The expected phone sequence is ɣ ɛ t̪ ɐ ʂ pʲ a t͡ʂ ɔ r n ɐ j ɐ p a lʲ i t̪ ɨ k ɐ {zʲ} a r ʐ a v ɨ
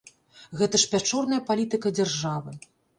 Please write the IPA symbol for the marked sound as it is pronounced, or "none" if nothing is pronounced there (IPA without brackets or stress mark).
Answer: d͡zʲ